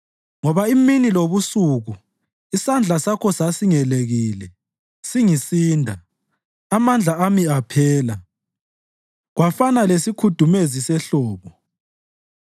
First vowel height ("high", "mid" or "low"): mid